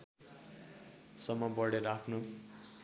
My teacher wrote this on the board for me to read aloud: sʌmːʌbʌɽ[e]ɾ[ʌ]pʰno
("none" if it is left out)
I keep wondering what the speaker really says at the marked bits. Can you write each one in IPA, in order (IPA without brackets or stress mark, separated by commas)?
e, a